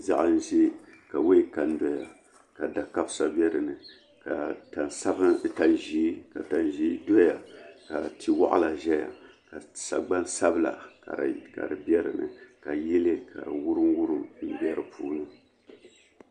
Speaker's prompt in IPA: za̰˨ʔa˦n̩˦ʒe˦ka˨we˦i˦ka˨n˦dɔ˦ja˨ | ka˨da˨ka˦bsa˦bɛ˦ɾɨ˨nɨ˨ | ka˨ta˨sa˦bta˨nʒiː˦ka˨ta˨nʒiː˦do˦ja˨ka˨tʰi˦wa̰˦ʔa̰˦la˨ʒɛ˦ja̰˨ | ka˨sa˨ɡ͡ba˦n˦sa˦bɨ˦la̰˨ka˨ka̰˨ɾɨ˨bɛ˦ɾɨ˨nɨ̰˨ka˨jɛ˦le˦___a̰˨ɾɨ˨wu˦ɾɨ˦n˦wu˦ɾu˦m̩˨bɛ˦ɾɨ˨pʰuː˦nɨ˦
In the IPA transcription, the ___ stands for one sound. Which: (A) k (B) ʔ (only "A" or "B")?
A